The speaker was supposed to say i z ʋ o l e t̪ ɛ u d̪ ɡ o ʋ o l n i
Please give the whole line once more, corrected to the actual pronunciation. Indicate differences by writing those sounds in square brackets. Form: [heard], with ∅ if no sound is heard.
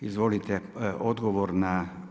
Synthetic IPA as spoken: i z ʋ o l [i] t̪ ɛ [o] d̪ ɡ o ʋ o [ɾ] n [a]